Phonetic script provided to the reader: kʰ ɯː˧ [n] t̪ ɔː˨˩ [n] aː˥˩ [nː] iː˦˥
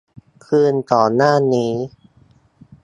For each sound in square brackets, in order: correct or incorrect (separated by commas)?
correct, correct, incorrect